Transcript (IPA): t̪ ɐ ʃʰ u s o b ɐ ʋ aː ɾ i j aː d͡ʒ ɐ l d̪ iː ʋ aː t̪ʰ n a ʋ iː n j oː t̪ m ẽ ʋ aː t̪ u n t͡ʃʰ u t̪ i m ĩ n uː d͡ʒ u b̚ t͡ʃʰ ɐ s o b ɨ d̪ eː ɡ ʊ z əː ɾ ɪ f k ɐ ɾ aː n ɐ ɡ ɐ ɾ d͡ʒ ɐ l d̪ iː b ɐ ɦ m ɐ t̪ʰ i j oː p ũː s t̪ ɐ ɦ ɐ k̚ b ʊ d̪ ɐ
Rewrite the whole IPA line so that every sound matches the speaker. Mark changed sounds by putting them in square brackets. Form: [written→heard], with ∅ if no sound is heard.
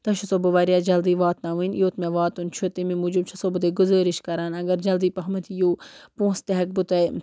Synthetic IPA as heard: t̪ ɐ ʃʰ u s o b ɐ ʋ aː ɾ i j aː d͡ʒ ɐ l d̪ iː ʋ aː [t̪ʰ→t̪] n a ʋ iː n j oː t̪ m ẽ ʋ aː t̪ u n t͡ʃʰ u t̪ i m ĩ [n→m] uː d͡ʒ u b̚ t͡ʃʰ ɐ s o b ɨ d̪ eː ɡ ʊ z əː ɾ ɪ [f→ʃ] k ɐ ɾ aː n ɐ ɡ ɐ ɾ d͡ʒ ɐ l d̪ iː [b→p] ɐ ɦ m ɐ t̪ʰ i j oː p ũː s t̪ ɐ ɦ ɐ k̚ b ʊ [d̪→t̪] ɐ